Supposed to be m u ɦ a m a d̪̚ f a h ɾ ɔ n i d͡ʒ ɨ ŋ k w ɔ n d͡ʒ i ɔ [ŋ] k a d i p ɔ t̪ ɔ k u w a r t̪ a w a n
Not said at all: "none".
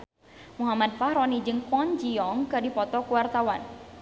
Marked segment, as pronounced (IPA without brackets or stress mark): ŋ